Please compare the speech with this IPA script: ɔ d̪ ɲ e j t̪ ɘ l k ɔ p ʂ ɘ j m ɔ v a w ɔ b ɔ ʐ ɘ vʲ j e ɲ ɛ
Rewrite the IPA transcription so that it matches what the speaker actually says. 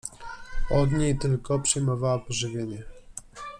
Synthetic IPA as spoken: ɔ d̪ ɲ e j t̪ ɘ l k ɔ p ʂ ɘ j m ɔ v a w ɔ p ɔ ʐ ɘ vʲ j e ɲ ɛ